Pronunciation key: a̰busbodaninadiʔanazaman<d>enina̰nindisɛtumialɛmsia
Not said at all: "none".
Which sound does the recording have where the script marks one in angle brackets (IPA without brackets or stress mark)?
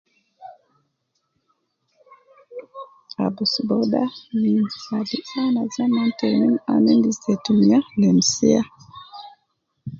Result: t